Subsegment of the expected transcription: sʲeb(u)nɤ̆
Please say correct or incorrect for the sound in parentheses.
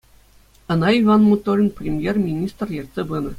incorrect